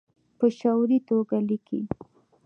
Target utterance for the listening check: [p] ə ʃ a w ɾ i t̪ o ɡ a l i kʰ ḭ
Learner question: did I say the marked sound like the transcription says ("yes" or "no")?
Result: yes